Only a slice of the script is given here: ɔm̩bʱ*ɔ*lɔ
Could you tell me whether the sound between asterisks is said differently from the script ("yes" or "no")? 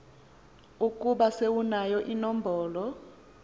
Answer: yes